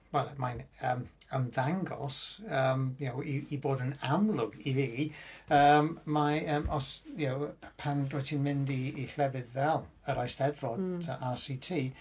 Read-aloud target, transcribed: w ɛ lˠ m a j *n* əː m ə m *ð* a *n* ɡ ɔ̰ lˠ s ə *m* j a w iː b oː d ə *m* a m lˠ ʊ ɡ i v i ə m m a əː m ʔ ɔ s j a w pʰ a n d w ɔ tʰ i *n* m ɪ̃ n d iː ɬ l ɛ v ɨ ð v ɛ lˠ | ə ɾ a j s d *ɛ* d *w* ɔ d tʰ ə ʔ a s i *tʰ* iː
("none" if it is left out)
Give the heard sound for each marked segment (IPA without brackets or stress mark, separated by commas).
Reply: n, ð, ŋ, m, n, n, ɛ, v, tʰ